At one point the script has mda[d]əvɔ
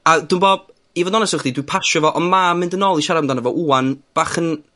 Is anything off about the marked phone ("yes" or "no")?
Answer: yes